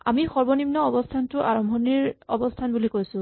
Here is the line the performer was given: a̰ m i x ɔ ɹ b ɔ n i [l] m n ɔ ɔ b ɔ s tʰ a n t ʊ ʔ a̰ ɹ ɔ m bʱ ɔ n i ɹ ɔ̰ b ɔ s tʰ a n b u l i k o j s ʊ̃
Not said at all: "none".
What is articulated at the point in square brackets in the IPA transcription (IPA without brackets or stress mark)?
none